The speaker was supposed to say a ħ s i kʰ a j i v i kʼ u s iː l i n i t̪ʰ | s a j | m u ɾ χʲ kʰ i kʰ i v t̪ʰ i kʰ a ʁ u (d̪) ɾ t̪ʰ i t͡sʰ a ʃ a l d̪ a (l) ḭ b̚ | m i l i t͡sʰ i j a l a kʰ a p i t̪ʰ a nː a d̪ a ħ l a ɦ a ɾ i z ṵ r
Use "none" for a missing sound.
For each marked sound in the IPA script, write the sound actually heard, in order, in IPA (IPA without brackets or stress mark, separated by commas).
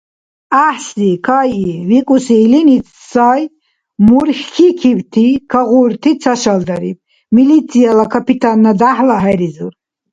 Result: none, ɾ